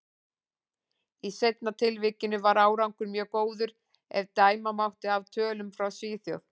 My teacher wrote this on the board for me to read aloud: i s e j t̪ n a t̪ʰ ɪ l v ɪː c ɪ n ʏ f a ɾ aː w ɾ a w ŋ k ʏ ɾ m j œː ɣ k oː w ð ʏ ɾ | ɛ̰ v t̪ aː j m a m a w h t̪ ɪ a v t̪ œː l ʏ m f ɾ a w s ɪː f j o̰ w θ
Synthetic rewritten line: i s e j t̪ n a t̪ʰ ɪ l v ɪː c ɪ n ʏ v a ɾ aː w ɾ a w ŋ k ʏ ɾ m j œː ɣ k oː w ð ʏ ɾ | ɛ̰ v t̪ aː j m a m a w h t̪ ɪ a v t̪ʰ œː l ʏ m f ɾ a w s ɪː θ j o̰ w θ